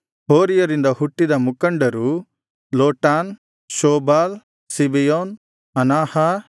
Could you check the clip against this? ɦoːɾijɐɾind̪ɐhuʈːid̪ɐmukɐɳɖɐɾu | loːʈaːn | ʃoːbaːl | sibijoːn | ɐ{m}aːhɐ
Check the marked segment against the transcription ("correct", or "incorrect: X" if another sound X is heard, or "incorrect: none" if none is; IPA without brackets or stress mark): incorrect: n